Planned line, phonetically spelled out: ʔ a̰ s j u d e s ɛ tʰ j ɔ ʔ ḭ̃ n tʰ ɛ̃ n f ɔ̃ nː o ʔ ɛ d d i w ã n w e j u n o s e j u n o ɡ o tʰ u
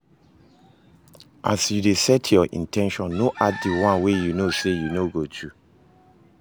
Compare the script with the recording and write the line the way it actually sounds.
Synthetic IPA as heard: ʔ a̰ s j u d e s ɛ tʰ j ɔ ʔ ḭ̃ n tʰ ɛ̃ n ʃ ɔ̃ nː o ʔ a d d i w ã n w e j u n o s e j u n o ɡ o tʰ u